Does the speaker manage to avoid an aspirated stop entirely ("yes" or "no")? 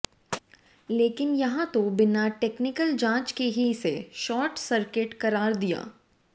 yes